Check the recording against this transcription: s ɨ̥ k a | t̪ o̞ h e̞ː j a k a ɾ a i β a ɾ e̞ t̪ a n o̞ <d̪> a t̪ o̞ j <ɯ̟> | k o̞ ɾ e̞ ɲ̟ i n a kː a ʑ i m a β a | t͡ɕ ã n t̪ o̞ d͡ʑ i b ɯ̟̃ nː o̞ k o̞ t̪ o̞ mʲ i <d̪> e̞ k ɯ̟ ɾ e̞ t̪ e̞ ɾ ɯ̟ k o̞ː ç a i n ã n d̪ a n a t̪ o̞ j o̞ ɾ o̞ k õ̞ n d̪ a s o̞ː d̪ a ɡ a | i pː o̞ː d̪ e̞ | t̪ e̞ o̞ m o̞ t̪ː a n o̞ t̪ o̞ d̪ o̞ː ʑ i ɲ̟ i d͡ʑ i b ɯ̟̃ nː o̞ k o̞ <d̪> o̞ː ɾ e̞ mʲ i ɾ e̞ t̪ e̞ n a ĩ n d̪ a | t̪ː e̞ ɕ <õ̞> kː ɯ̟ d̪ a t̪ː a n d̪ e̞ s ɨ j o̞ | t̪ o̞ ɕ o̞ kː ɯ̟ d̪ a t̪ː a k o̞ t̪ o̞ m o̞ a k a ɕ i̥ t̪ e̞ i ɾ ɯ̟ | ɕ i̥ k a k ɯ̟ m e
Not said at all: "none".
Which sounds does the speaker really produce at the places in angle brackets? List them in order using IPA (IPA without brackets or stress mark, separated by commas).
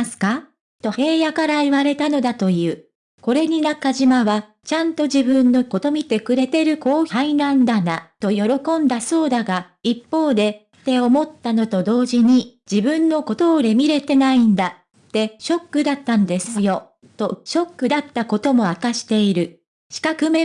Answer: d̪, ɯ̟ː, t̪, t̪, o̞